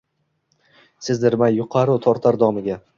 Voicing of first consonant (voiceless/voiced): voiceless